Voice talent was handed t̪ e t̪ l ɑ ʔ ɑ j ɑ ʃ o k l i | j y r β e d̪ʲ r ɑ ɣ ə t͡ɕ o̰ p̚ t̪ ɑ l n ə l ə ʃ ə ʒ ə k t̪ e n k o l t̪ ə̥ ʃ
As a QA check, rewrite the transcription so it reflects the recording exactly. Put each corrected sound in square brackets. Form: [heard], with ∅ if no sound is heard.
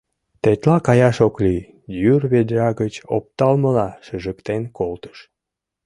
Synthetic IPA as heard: t̪ e t̪ l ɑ [k] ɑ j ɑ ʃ o k l i | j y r β e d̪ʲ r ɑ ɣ ə t͡ɕ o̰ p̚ t̪ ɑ l [m] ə l [ɑ] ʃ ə ʒ ə k t̪ e n k o l t̪ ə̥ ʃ